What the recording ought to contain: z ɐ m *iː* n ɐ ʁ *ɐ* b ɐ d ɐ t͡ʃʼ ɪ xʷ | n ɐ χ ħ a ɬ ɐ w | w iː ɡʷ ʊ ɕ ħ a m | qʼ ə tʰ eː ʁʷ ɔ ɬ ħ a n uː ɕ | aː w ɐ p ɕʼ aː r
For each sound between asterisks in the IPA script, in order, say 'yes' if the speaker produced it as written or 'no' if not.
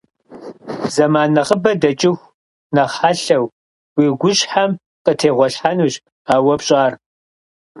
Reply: no, no

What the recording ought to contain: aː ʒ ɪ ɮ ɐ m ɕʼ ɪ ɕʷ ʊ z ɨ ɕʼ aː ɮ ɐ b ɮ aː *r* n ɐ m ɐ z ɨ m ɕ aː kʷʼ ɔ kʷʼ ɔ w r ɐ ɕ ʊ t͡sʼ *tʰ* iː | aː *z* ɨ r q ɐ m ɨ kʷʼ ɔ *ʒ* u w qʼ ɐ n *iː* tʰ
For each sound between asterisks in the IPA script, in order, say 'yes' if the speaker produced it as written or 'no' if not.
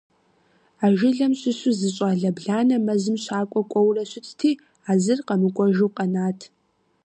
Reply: no, yes, yes, yes, no

